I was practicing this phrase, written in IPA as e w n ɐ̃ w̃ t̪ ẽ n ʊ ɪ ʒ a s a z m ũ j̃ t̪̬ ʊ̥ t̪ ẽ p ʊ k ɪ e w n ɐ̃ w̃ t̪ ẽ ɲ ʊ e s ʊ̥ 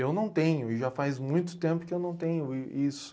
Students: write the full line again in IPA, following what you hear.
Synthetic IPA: e w n ɐ̃ w̃ t̪ ẽ ɲ ʊ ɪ ʒ a f a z m ũ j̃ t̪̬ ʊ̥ t̪ ẽ p ʊ k ɪ e w n ɐ̃ w̃ t̪ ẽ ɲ ʊ i s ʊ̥